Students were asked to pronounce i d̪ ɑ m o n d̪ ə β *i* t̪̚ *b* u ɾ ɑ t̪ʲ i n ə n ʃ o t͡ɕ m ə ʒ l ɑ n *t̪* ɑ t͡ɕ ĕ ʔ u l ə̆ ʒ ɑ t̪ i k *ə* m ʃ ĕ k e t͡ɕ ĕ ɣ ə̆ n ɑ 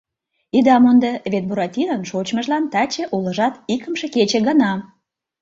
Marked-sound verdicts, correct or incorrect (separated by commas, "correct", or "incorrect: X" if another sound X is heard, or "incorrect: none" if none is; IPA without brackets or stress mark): incorrect: e, correct, correct, correct